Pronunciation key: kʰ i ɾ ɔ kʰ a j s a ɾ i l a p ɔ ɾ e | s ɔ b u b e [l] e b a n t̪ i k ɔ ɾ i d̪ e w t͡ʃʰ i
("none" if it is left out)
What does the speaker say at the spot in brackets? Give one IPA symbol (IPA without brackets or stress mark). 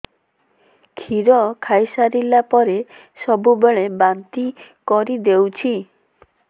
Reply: ɭ